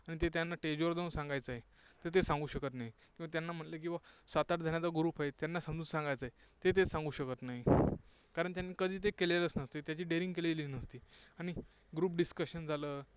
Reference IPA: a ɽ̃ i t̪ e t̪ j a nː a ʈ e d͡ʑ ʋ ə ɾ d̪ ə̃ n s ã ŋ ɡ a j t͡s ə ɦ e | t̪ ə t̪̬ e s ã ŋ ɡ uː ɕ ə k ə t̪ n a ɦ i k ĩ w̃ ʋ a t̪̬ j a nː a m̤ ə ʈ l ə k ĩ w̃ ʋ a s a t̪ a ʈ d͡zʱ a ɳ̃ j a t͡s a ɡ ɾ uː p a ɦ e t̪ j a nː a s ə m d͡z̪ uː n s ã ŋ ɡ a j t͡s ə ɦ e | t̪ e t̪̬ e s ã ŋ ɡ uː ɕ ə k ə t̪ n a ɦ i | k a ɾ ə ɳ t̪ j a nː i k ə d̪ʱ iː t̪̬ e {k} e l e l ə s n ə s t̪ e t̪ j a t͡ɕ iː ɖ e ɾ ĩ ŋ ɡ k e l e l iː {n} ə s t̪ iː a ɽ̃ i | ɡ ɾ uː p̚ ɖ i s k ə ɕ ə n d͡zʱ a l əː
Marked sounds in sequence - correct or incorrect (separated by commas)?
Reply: correct, correct